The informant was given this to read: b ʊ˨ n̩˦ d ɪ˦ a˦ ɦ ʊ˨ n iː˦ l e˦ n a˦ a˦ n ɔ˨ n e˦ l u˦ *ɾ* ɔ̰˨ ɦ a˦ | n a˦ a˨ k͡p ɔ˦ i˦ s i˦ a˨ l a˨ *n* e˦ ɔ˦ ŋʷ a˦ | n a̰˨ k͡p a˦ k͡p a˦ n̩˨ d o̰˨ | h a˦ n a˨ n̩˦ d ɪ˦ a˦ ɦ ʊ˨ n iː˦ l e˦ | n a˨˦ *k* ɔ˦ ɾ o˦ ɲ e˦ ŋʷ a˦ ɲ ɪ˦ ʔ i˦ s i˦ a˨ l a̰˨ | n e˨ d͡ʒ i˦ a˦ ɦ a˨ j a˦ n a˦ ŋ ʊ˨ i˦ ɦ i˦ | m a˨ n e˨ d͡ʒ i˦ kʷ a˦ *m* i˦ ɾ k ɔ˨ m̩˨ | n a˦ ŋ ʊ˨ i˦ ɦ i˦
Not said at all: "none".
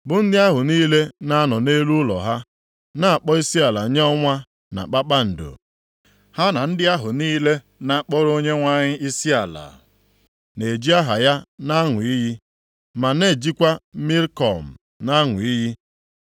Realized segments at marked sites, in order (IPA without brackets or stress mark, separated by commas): l, ɲ, k͡p, m